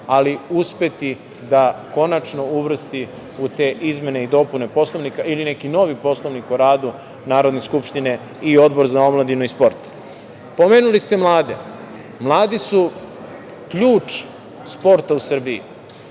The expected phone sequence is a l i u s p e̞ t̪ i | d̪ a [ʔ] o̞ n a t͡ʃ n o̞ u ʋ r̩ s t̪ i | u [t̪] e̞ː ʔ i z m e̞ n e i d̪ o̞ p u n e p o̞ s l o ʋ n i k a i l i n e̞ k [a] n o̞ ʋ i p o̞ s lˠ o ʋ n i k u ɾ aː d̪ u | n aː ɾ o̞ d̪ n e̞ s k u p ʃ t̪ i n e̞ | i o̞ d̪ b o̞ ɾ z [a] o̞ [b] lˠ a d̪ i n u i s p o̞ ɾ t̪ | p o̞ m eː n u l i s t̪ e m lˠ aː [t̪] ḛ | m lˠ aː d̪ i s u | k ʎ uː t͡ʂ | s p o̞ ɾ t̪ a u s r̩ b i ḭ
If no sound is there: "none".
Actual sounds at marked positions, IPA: k, t̪, i, a, m, d̪

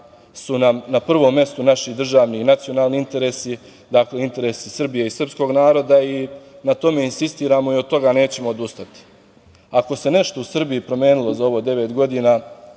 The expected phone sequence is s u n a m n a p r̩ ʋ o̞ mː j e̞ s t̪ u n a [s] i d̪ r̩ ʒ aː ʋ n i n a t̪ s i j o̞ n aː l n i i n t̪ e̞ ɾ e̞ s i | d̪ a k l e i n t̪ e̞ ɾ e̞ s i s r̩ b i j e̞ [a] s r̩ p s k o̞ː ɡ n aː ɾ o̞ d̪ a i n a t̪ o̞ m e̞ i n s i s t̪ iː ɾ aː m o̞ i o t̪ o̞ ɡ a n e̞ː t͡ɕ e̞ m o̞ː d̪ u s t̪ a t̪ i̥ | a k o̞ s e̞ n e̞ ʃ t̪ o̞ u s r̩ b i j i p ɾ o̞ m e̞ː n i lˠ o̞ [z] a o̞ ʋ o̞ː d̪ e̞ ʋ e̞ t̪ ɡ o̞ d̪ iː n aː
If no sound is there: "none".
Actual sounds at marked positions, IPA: ʃ, i, z

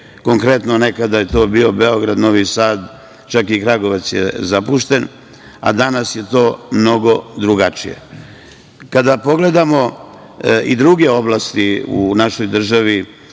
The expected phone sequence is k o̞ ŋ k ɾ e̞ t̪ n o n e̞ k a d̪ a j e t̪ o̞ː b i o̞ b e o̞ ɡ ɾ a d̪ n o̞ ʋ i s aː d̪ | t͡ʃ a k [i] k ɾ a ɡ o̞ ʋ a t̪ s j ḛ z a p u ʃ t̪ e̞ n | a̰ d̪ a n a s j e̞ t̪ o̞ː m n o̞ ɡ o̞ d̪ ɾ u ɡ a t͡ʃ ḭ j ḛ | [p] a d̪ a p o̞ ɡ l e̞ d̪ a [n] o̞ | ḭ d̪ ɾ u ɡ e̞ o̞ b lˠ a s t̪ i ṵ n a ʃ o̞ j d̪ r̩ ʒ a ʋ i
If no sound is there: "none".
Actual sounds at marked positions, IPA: i, k, m

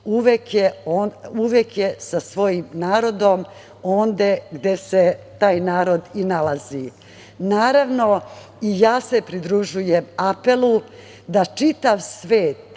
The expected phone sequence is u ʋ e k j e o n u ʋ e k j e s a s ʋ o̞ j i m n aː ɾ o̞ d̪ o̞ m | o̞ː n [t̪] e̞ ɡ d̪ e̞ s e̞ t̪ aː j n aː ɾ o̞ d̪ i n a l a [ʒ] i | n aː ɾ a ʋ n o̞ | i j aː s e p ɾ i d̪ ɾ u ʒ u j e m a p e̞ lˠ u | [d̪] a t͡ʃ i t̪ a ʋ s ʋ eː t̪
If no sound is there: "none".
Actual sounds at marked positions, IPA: d̪, z, d̪

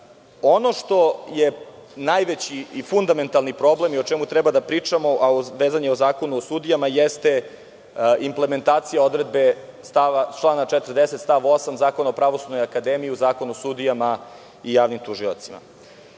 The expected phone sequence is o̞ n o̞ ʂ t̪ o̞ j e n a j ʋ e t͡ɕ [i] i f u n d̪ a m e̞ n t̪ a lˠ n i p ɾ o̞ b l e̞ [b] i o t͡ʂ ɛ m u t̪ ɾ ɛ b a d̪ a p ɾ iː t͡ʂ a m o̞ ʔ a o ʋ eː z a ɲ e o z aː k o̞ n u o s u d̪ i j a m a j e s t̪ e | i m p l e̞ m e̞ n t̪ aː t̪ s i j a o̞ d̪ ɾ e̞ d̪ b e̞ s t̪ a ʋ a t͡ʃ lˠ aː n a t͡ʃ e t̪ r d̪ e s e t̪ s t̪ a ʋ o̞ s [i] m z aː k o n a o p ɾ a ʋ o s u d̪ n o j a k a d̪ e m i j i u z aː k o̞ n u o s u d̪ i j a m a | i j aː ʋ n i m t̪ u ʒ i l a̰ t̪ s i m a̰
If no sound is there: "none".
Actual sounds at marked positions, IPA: i, m, a

